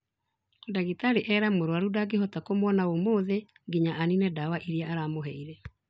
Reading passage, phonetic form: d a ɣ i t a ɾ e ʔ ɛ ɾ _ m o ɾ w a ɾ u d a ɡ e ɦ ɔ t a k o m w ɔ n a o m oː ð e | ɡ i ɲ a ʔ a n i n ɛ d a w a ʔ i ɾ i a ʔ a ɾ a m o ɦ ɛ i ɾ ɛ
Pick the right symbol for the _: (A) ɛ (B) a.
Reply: B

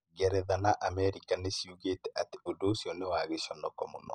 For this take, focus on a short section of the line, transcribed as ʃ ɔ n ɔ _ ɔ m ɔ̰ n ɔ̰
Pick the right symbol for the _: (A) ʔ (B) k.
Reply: B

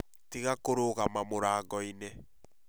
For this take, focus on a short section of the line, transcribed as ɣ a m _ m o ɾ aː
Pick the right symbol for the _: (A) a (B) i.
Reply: A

